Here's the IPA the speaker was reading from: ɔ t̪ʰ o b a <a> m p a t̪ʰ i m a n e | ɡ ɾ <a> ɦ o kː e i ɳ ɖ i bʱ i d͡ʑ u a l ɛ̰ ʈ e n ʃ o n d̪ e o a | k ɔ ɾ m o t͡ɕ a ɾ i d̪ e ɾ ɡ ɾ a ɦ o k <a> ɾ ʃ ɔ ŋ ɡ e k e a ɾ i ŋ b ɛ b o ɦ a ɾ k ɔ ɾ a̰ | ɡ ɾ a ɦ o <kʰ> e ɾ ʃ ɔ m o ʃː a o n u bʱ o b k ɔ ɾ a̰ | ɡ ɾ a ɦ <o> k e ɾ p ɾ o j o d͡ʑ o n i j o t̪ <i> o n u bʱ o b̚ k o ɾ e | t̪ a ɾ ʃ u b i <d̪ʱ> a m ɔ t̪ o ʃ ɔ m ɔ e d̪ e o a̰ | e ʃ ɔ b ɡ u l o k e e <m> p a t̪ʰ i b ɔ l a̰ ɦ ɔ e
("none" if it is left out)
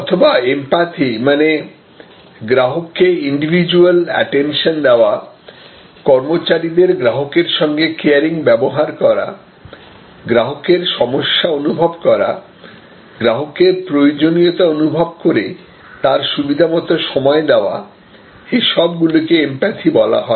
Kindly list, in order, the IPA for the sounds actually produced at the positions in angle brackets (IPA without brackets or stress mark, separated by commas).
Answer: e, a, e, k, o, a, d̪ʱ, m